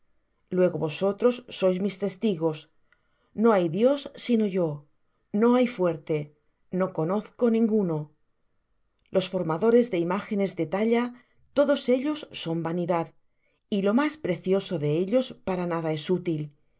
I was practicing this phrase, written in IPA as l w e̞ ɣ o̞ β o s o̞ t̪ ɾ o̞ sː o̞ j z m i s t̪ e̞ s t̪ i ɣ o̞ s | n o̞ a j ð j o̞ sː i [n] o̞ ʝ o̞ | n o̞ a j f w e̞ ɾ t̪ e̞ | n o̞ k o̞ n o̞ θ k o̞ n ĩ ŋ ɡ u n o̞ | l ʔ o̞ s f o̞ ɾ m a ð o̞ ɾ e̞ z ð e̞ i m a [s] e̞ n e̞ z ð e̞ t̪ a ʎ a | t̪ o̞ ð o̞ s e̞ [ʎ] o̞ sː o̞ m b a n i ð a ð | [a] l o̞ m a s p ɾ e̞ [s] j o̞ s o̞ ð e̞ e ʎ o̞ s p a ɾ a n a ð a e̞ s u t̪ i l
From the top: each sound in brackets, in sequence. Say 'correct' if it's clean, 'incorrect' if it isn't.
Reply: correct, incorrect: x, correct, incorrect: i, incorrect: θ

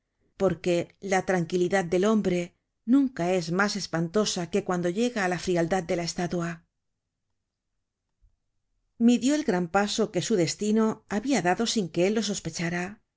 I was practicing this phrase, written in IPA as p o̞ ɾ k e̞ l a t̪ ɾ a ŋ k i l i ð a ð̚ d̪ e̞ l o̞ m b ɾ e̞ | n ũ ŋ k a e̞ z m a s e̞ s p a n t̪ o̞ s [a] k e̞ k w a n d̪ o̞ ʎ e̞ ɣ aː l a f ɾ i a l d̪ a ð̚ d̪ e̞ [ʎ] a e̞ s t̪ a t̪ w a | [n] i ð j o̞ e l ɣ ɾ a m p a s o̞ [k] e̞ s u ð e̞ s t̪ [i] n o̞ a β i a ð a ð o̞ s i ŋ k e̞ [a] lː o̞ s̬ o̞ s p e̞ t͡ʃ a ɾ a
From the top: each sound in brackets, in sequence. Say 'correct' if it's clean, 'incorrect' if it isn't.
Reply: correct, incorrect: l, incorrect: m, correct, correct, incorrect: e

